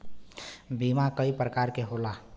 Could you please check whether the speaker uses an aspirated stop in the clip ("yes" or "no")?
no